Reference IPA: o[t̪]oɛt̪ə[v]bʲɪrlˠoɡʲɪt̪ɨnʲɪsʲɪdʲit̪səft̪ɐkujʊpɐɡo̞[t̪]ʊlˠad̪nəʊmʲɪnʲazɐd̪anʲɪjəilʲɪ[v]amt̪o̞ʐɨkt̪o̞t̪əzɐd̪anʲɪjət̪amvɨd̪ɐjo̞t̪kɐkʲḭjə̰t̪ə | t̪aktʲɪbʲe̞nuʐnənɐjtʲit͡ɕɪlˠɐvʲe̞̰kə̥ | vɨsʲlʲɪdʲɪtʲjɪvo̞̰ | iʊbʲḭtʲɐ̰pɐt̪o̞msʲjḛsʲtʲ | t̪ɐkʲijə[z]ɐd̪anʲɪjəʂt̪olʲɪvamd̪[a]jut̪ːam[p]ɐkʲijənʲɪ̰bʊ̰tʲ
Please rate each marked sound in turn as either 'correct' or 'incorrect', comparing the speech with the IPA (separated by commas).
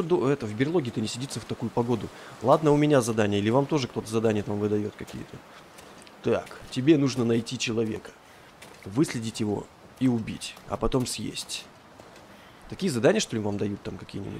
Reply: incorrect, correct, incorrect, correct, correct, incorrect, incorrect